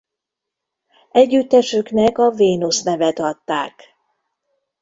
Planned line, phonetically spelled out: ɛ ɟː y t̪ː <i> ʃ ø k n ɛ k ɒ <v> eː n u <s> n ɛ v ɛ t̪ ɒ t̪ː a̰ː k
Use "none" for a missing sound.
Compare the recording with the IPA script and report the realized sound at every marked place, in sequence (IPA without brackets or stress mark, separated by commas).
ɛ, v, s